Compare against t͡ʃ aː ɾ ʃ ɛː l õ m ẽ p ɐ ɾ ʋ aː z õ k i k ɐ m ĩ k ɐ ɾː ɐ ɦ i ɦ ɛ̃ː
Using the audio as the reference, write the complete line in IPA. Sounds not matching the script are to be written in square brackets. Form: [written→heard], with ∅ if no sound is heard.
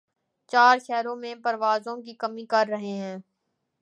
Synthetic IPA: t͡ʃ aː ɾ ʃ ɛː [l→ɾ] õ m ẽ p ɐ ɾ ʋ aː z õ k i k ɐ m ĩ k ɐ ɾː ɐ ɦ [i→e] ɦ ɛ̃ː